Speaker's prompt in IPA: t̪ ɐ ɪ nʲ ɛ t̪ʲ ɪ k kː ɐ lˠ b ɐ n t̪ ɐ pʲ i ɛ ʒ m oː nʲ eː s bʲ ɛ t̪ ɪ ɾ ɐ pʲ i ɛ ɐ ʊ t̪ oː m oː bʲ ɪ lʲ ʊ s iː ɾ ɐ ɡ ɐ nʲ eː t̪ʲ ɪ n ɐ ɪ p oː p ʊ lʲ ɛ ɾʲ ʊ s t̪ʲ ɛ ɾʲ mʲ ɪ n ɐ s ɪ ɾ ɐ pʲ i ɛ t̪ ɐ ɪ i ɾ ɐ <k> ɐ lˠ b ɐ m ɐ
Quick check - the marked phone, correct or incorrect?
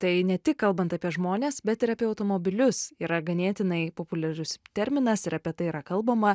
correct